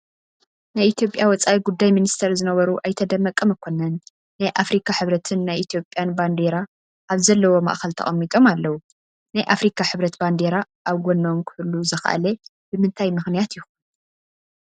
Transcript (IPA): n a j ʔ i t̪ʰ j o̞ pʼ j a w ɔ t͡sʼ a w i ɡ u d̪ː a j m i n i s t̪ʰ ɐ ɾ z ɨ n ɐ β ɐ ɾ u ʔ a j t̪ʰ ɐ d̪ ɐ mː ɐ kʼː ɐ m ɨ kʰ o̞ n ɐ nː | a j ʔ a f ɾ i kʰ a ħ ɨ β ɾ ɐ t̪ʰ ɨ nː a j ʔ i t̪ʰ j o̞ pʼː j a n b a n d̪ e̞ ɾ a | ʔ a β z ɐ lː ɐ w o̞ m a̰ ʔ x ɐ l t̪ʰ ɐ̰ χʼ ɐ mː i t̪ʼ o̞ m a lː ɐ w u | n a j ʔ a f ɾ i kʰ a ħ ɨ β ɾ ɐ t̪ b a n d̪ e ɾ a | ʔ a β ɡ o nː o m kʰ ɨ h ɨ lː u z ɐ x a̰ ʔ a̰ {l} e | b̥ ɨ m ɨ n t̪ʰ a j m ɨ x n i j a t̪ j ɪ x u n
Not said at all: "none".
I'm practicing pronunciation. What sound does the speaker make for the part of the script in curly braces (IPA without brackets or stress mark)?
l